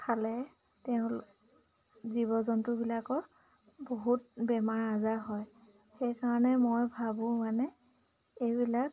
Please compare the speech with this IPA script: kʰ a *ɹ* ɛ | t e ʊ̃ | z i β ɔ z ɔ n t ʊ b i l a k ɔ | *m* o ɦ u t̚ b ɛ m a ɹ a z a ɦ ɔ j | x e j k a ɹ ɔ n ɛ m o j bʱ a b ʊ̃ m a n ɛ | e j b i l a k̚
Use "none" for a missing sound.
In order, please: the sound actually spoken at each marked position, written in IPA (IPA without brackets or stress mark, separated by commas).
l, b